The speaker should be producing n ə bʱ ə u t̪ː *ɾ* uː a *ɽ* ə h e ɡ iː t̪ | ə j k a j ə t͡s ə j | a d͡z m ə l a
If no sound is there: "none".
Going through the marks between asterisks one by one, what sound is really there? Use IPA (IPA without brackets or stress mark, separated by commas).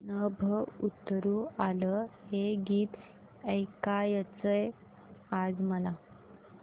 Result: ɾ, l